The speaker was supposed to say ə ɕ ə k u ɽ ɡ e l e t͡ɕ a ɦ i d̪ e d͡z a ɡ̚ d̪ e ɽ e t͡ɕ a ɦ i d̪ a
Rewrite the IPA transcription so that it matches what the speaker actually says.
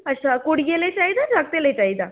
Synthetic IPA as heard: ə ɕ a k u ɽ ɡ e l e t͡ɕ a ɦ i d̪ a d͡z a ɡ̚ t̪ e l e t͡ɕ a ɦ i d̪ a